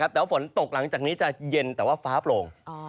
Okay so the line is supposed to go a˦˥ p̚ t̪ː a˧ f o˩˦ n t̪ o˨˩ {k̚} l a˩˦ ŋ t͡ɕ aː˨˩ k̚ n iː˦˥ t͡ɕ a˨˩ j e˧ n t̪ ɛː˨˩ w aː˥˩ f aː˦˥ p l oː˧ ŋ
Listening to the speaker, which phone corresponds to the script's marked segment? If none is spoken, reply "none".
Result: k̚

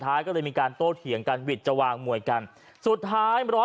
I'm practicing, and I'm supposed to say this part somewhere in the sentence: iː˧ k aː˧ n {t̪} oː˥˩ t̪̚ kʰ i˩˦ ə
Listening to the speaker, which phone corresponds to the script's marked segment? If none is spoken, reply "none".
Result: t̪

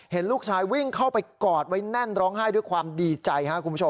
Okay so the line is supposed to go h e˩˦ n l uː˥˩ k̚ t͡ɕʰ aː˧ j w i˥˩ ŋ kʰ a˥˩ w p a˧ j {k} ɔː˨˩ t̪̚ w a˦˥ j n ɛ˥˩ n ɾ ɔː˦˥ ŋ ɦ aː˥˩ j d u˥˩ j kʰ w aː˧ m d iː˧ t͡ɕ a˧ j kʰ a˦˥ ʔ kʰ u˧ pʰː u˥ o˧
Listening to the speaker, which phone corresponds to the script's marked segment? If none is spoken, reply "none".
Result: k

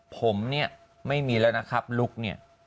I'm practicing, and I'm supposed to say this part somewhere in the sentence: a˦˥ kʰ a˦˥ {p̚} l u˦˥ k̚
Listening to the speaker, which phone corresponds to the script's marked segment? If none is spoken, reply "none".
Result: p̚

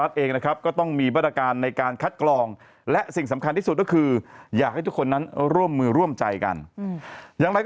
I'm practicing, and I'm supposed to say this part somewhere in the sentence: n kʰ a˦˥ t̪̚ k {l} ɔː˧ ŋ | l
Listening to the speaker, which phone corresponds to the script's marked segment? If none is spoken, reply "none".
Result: l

